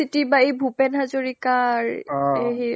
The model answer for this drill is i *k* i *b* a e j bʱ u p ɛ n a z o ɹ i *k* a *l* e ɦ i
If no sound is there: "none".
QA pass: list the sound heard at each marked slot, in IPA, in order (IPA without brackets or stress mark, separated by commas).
t, b, k, ɹ